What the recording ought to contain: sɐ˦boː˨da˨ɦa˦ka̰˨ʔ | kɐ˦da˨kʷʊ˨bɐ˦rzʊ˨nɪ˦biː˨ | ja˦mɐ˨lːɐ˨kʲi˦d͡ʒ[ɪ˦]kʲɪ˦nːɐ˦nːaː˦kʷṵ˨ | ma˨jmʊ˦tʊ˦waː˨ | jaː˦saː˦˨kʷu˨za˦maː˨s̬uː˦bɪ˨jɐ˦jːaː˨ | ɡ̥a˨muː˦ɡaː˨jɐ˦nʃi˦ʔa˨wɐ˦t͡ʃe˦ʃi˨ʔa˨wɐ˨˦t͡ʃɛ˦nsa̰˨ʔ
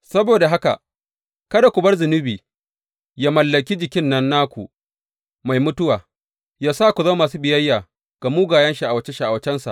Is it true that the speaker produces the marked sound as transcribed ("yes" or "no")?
no